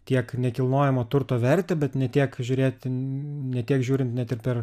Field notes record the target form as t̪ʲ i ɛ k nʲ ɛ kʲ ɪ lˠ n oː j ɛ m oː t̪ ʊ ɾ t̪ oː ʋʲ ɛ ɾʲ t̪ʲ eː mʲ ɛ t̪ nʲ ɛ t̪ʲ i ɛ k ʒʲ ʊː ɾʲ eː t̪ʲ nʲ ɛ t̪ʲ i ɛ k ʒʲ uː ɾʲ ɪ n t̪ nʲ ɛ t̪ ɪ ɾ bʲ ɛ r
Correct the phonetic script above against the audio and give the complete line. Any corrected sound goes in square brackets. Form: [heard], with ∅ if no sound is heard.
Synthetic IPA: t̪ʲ i ɛ k nʲ ɛ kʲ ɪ lˠ n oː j ɛ m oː t̪ ʊ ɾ t̪ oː ʋʲ ɛ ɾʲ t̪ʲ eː [bʲ] ɛ t̪ nʲ ɛ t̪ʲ i ɛ k ʒʲ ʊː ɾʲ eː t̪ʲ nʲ ɛ t̪ʲ i ɛ k ʒʲ uː ɾʲ ɪ n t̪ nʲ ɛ t̪ ɪ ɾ [pʲ] ɛ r